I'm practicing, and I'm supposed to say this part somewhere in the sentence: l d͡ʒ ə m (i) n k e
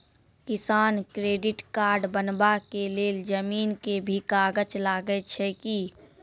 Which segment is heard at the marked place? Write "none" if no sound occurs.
iː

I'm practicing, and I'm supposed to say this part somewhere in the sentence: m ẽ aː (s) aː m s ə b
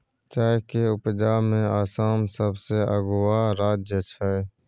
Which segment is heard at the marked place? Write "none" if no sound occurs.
s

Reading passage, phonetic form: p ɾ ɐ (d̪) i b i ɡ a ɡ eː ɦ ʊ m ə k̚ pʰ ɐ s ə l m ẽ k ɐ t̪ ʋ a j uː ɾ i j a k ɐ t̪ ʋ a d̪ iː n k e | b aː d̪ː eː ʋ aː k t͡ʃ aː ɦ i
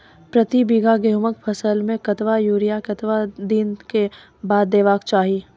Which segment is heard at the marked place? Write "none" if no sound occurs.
t̪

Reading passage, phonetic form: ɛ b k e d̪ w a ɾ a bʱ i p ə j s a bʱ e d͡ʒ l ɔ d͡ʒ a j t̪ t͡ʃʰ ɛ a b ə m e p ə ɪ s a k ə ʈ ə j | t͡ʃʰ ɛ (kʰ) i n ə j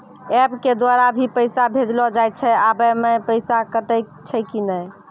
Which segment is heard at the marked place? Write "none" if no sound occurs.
k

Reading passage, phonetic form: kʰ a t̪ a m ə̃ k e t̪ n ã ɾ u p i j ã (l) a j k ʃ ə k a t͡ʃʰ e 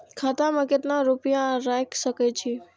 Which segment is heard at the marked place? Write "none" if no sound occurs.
ɾ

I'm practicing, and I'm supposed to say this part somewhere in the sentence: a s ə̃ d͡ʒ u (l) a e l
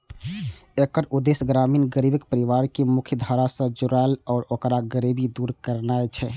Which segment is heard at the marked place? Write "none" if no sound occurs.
ɾ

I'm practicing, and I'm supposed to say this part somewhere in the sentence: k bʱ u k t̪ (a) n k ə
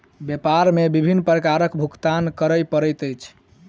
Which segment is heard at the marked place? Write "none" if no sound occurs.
a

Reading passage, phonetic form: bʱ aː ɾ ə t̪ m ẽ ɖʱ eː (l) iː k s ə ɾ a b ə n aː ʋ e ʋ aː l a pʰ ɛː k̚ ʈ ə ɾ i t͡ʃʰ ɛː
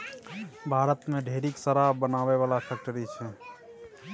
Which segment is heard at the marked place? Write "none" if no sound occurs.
ɾ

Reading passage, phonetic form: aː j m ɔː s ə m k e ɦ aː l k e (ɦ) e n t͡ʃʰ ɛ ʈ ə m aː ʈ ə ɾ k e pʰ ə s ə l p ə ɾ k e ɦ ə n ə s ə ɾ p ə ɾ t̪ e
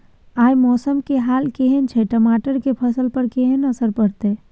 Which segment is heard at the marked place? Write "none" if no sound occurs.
ɦ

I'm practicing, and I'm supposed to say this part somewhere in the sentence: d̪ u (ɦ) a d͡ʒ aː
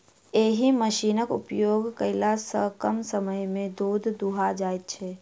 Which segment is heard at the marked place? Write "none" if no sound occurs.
ɦ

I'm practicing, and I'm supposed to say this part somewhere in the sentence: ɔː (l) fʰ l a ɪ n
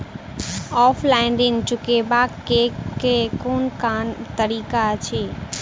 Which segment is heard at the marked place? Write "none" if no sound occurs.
none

